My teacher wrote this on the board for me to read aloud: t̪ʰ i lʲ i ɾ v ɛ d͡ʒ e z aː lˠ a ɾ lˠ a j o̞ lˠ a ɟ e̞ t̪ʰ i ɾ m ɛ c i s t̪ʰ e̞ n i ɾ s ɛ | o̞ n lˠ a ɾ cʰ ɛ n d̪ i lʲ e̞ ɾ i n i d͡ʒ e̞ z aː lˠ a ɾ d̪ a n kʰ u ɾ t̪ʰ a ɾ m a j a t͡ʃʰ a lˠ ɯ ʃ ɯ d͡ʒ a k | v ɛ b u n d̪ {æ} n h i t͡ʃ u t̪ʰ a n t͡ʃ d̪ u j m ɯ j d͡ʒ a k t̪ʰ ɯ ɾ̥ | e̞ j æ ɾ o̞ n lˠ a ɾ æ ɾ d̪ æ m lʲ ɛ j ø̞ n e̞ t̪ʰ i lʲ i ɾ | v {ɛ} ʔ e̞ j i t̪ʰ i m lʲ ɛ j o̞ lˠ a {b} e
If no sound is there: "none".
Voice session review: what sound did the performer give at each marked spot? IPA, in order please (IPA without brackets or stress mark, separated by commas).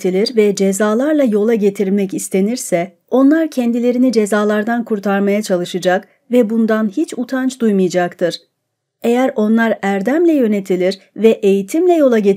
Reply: a, ɛ, ɟ